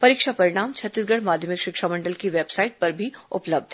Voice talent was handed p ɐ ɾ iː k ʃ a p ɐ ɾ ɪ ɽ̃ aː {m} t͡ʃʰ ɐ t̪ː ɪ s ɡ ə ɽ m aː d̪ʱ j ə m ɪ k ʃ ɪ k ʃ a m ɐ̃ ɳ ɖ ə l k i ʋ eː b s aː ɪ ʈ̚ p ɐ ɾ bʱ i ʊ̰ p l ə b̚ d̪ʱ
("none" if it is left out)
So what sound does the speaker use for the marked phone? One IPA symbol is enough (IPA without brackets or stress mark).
m